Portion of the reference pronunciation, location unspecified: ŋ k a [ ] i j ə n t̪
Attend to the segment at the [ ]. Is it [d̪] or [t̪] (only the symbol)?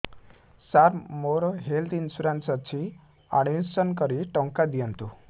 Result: d̪